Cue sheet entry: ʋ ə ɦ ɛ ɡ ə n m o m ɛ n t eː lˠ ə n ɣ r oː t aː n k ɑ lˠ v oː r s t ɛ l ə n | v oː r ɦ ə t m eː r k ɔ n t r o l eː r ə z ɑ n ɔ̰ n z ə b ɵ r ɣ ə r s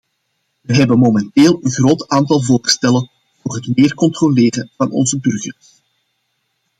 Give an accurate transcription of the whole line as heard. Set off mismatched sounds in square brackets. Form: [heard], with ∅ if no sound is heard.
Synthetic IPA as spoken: ʋ ə ɦ ɛ [b] ə n m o m ɛ n t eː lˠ ə n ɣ r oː t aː n [t] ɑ lˠ v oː r s t ɛ l ə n | v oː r ɦ ə t m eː r k ɔ n t r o l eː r ə [v] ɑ n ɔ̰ n z ə b ɵ r ɣ ə r s